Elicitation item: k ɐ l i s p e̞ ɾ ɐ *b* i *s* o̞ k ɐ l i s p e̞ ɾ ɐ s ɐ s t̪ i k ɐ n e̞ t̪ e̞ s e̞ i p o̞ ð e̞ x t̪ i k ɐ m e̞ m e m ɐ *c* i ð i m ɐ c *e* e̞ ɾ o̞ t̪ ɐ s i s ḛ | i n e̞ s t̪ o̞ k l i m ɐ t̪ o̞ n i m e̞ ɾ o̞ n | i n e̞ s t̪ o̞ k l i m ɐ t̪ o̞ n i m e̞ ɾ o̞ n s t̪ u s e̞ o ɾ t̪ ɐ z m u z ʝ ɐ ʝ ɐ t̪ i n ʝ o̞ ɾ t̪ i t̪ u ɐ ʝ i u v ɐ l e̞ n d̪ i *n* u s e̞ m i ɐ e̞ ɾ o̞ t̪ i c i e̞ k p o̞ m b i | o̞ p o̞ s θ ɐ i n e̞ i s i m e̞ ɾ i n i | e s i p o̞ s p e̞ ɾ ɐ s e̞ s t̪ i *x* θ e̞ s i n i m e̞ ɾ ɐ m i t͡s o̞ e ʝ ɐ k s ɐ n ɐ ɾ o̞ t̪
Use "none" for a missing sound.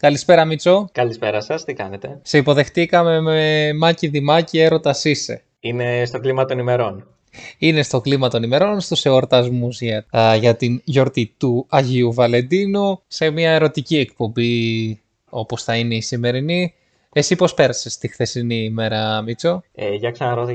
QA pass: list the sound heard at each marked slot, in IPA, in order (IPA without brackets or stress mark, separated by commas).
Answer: m, t͡s, c, i, n, x